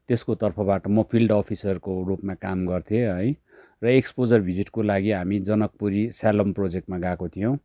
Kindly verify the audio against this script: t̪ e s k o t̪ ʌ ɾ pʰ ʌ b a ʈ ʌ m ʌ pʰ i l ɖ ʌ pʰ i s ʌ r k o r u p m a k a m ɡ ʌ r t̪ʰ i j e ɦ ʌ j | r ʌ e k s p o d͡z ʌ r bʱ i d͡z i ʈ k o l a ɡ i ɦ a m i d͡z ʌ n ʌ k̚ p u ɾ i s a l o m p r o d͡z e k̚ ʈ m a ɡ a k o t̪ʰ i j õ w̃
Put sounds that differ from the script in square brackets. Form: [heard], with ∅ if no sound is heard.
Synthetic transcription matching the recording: t̪ e s k o t̪ ʌ [r] pʰ ʌ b a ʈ ʌ m ʌ pʰ i l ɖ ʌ pʰ i s ʌ r k o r u p m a k a m ɡ ʌ r t̪ʰ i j e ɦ ʌ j | r ʌ e k s p o d͡z ʌ r bʱ i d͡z i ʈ k o l a ɡ i ɦ a m i d͡z ʌ n ʌ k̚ p u ɾ i s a l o m p r o d͡z e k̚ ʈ m a ɡ a k o t̪ʰ i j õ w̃